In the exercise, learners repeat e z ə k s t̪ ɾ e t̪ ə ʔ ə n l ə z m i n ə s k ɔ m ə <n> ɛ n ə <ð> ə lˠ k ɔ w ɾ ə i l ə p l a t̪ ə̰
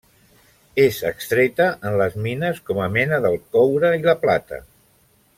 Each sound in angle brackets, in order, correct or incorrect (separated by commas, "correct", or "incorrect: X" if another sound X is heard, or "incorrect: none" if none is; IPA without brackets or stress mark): incorrect: m, correct